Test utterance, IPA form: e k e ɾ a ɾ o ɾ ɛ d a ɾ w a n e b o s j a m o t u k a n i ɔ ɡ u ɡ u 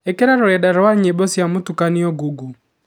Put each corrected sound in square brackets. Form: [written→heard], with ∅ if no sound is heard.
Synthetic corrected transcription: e k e ɾ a ɾ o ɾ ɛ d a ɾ w a [n→ɲ] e b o s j a m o t u k a n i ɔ ɡ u ɡ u